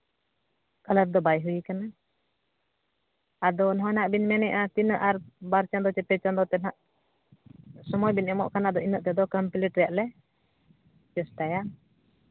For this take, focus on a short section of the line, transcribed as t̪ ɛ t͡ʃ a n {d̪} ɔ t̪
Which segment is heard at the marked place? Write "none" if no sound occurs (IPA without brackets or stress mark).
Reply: d̪